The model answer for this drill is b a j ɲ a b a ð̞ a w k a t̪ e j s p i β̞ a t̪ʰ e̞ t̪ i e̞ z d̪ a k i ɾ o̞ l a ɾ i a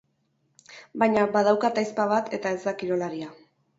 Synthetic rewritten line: b a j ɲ a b a ð̞ a w k a t̪ a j s p a β̞ a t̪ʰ e̞ t̪ a e̞ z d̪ a k i ɾ o̞ l a ɾ i a